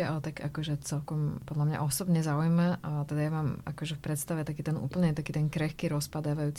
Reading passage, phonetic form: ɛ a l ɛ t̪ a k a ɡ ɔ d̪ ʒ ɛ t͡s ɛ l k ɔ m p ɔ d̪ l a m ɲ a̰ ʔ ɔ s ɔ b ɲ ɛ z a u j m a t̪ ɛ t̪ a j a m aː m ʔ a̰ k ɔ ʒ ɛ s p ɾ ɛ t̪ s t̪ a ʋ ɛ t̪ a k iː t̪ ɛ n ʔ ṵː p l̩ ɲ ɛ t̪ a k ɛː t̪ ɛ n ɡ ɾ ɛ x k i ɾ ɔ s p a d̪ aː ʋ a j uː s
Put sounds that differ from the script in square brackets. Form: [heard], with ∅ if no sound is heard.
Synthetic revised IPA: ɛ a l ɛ t̪ a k a [k] ɔ [∅] ʒ ɛ t͡s ɛ l k ɔ m p ɔ d̪ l a m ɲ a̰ ʔ ɔ s ɔ b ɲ ɛ z a u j m a t̪ ɛ [d̪] a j a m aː m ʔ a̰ k ɔ ʒ ɛ [f] p ɾ ɛ t̪ s t̪ a ʋ ɛ t̪ a k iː t̪ ɛ n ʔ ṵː p l̩ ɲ ɛ t̪ a k [iː] t̪ ɛ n [k] ɾ ɛ x k i ɾ ɔ s p a d̪ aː ʋ a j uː [t͡s]